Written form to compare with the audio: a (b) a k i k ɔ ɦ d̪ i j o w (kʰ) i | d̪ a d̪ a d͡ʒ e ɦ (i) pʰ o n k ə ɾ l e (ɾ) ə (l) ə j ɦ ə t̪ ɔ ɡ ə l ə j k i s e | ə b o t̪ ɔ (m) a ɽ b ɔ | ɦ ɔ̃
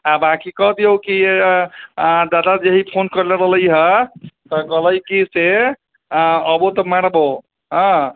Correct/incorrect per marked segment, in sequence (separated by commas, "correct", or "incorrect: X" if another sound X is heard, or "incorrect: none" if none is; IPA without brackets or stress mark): correct, incorrect: k, correct, correct, correct, correct